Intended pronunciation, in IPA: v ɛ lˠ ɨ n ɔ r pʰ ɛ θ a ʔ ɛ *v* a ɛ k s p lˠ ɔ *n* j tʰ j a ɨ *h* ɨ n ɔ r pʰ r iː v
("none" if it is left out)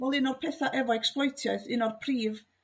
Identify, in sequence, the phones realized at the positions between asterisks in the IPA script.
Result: v, none, θ

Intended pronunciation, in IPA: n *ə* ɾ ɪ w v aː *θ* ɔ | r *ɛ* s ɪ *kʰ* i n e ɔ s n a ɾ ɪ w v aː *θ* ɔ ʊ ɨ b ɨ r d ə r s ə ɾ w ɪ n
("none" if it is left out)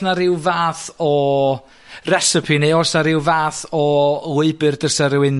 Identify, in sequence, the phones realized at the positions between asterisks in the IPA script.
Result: a, θ, ɛ, pʰ, θ

